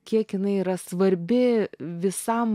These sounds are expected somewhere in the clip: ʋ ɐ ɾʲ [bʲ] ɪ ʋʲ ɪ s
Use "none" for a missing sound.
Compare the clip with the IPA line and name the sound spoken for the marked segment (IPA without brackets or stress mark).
bʲ